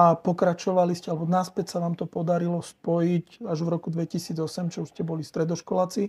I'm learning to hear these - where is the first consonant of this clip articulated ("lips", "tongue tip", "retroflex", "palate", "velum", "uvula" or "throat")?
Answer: lips